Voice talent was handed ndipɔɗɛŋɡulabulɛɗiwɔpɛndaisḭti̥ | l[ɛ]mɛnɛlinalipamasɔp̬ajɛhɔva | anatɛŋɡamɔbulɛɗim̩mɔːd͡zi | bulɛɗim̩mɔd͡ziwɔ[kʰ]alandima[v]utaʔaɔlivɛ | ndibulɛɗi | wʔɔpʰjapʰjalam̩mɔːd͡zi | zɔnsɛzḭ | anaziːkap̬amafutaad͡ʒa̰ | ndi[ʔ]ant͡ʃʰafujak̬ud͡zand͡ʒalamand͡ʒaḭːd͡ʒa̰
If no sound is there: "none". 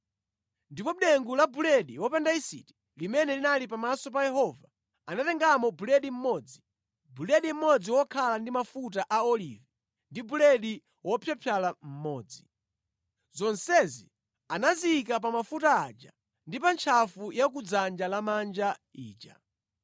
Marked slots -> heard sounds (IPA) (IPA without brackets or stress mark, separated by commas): i, kʰ, f, p